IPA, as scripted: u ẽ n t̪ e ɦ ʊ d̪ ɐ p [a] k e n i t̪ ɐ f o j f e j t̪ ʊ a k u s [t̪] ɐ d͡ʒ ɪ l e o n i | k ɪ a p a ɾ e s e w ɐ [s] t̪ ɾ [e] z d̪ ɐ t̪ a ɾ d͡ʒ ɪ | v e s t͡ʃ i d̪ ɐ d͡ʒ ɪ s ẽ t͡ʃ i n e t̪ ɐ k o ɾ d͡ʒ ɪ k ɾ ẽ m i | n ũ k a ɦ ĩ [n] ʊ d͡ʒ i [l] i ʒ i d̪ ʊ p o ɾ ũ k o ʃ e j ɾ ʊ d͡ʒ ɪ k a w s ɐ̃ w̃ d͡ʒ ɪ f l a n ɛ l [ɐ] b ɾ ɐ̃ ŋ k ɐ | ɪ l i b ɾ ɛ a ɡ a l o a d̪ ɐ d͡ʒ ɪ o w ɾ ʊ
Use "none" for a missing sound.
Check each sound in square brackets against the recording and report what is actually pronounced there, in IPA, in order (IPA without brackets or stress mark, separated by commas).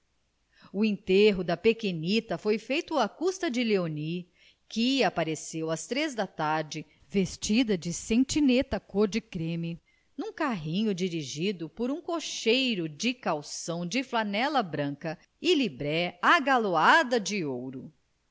e, t̪, s, e, ɲ, ɾ, ɐ